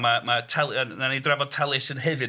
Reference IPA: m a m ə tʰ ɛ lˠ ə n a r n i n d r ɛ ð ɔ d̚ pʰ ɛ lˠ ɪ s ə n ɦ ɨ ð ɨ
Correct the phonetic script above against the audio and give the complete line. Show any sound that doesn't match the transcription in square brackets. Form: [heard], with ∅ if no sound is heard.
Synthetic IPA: m a m [a] tʰ ɛ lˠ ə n a [∅] n i [∅] d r ɛ [v] ɔ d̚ [tʰ] ɛ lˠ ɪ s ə n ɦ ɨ [v] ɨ